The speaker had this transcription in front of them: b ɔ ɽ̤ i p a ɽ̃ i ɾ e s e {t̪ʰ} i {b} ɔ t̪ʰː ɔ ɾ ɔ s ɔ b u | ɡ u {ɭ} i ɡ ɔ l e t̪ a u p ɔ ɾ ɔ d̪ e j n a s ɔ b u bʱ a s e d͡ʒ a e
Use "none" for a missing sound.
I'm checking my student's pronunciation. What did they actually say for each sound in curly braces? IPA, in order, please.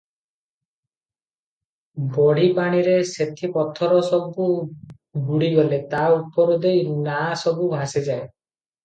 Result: t̪ʰ, p, ɽ

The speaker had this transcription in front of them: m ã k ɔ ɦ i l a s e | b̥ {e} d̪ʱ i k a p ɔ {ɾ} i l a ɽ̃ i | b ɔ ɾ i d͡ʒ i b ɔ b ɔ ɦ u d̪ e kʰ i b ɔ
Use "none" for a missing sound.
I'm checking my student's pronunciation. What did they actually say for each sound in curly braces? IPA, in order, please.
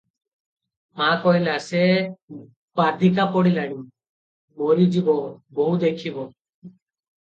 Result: a, ɽ

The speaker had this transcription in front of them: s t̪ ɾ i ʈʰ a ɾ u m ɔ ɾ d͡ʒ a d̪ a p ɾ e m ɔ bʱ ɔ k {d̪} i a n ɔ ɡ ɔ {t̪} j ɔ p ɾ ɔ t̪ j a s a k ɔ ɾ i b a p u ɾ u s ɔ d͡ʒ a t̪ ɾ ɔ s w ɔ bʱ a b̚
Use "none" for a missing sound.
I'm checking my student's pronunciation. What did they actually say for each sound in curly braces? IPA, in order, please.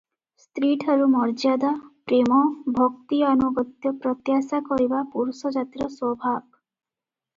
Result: t̪, t̪

